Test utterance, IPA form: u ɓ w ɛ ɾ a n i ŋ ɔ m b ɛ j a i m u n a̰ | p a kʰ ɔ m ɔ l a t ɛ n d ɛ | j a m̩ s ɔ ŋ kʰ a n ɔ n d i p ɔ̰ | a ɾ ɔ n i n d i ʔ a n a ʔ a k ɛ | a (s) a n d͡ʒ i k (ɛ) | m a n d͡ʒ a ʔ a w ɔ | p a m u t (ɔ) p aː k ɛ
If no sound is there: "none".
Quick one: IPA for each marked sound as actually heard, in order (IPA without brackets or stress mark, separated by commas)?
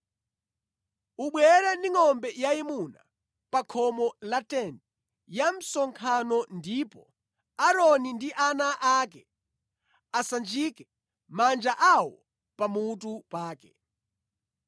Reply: s, ɛ, u